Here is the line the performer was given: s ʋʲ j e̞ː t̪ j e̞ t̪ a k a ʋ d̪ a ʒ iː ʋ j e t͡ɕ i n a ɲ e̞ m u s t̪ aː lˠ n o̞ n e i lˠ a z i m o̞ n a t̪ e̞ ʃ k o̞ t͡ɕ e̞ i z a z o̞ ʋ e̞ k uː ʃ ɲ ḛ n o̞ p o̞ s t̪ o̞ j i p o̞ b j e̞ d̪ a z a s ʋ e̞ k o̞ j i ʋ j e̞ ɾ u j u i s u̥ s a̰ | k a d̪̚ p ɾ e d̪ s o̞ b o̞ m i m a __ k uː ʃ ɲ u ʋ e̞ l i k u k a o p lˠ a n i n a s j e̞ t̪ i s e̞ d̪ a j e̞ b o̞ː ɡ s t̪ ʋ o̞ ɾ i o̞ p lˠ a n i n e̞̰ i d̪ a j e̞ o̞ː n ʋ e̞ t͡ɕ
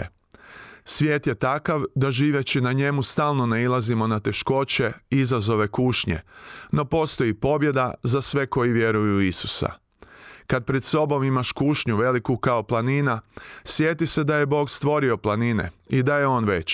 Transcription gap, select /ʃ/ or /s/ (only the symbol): ʃ